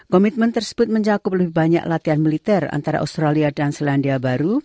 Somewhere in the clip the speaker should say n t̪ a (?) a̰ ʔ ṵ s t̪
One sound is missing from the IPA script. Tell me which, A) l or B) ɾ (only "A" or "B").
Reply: B